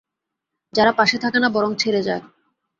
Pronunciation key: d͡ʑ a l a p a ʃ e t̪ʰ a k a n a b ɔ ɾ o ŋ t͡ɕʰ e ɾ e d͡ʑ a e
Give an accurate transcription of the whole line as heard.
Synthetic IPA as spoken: d͡ʑ a ɾ a p a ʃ e t̪ʰ a k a n a b ɔ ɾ o ŋ t͡ɕʰ e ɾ e d͡ʑ a e

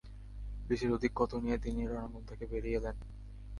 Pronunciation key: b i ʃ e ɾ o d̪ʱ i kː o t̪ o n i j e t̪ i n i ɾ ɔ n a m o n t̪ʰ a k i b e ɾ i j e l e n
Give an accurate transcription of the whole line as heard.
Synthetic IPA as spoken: b i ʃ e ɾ o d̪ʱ i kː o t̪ o n i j e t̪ i n i ɾ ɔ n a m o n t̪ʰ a k e b e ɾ i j e l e n

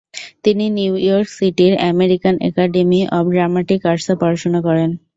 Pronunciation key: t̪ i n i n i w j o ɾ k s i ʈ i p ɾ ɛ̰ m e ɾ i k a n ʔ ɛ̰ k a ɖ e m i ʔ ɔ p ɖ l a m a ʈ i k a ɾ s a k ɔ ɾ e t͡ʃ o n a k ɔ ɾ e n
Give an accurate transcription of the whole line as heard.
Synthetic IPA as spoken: t̪ i n i n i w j ɔ ɾ k s i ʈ i ɾ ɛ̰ m e ɾ i k a n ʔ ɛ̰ k a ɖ e m i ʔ ɔ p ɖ ɾ a m a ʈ i k a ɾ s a p ɔ ɾ a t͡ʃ o n a k ɔ ɾ e n

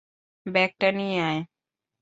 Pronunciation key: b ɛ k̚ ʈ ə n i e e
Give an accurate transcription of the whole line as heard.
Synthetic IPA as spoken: b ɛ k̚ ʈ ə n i a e

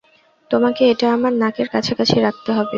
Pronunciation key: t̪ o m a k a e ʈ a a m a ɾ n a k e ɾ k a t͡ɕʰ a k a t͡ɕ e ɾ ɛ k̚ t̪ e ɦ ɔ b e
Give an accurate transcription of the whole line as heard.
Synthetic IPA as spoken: t̪ o m a k e e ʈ a a m a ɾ n a k e ɾ k a t͡ɕʰ a k a t͡ɕʰ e ɾ a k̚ t̪ e ɦ ɔ b e

